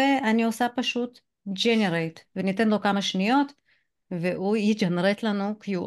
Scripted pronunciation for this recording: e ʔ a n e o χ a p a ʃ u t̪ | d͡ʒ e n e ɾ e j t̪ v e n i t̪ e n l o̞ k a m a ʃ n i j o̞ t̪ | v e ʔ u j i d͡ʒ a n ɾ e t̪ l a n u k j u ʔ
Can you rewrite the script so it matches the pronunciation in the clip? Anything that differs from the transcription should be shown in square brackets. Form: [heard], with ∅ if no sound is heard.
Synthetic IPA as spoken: e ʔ a n [i] o [s] a p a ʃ u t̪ | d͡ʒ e n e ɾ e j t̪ v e n i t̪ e n l o̞ k a m a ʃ n i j o̞ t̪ | v e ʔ u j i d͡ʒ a n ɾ e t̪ l a n u k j u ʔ